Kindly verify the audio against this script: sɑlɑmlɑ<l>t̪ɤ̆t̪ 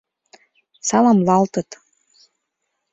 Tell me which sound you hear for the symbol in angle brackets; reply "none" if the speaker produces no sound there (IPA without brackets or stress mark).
l